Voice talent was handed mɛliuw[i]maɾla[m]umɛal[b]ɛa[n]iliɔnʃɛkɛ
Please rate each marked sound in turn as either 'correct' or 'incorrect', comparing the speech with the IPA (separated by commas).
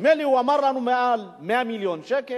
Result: incorrect, incorrect, incorrect, incorrect